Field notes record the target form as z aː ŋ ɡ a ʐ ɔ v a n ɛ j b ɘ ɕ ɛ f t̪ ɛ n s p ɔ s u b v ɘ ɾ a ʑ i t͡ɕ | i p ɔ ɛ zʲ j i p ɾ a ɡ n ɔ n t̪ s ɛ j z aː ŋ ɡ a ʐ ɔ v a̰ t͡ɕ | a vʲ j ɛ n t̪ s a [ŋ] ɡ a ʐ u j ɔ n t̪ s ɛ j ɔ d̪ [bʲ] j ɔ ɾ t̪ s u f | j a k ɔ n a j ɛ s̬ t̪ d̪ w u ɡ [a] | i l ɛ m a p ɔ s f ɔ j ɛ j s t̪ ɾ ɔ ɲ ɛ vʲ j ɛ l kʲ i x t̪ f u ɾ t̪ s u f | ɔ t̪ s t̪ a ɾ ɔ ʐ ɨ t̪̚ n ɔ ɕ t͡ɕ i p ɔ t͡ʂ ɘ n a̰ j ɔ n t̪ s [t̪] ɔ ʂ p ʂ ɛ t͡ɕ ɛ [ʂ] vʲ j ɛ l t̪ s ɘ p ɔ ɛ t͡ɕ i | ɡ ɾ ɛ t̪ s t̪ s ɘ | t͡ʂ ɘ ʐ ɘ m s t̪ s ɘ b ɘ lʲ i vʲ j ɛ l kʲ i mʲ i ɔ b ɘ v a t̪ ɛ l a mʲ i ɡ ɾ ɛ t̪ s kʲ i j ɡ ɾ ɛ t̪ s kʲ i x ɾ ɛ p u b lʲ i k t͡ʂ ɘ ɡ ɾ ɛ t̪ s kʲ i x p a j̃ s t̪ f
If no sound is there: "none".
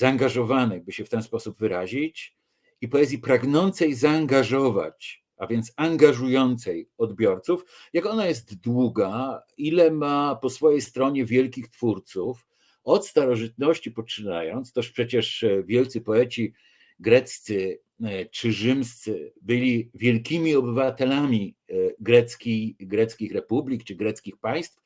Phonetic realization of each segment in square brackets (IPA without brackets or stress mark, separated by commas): ŋ, bʲ, a, t̪, ʂ